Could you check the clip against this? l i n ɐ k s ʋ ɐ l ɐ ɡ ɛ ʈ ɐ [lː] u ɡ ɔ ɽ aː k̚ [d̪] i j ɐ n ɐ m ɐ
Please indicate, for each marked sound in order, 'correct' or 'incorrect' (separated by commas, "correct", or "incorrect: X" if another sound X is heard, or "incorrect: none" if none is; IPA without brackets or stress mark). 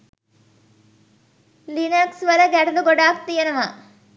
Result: incorrect: l, incorrect: t̪